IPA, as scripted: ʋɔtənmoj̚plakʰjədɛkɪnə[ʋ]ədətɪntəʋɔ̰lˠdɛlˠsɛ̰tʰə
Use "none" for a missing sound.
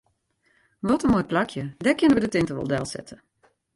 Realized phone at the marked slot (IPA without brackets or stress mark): ʋ